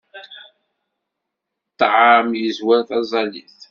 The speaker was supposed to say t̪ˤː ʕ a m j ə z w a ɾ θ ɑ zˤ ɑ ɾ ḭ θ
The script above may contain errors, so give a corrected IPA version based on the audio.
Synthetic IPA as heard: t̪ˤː ʕ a m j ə z w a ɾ θ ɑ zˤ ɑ l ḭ θ